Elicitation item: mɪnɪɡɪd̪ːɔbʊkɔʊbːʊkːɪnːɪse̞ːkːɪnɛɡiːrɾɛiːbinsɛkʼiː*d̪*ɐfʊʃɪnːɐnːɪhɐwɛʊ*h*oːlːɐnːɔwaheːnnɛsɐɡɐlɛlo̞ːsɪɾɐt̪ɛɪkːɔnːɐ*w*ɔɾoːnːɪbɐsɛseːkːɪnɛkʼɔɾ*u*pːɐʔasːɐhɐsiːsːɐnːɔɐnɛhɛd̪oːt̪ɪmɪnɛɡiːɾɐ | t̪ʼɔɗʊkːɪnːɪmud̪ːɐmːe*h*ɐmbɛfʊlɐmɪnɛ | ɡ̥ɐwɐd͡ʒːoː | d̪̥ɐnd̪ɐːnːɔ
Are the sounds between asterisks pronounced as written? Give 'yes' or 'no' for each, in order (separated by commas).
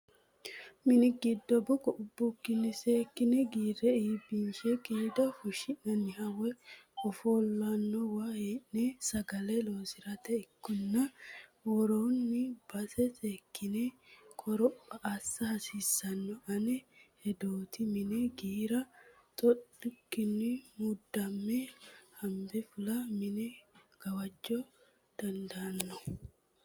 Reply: yes, no, yes, no, yes